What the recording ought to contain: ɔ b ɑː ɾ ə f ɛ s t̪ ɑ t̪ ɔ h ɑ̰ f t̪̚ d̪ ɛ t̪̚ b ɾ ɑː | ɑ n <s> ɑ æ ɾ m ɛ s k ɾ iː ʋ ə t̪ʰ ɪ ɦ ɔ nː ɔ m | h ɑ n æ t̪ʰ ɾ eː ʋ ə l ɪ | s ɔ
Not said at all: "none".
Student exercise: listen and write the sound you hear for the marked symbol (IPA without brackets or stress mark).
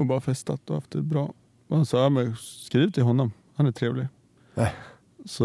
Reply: s